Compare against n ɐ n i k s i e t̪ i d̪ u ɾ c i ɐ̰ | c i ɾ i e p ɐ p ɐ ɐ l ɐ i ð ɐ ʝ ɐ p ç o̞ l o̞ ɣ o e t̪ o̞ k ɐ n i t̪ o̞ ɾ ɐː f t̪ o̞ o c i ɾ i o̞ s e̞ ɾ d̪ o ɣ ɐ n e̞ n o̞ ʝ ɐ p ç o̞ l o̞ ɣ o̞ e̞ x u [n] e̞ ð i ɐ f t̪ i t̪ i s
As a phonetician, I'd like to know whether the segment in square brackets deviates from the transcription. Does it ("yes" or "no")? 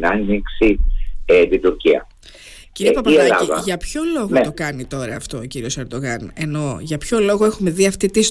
yes